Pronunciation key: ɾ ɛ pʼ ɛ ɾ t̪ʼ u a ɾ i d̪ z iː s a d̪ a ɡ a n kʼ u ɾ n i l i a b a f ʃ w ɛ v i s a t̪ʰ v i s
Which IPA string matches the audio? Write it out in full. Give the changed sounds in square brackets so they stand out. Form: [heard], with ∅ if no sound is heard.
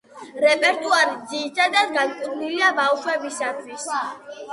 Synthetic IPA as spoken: ɾ ɛ pʼ ɛ ɾ t̪ʼ u a ɾ i d̪ z iː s a d̪ a ɡ a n kʼ u ɾ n i l i a b a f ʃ w ɛ [b] i s a t̪ʰ [w] i s